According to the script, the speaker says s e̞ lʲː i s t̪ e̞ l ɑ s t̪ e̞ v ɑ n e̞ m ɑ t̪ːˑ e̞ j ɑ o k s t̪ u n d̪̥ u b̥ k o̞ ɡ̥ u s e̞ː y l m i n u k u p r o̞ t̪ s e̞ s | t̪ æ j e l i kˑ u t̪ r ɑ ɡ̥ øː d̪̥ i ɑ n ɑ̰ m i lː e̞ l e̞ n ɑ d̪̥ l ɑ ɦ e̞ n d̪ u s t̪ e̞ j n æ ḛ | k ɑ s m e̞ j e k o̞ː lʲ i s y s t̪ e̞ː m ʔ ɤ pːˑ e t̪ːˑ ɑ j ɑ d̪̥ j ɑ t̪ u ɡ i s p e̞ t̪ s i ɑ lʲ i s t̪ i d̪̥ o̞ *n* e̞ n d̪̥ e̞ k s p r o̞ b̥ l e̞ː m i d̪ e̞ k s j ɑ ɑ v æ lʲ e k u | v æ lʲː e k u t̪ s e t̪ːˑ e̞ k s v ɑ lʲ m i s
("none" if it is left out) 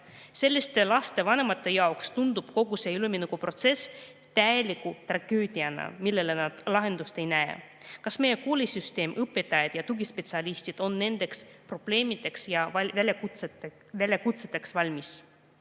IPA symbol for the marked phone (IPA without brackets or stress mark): nː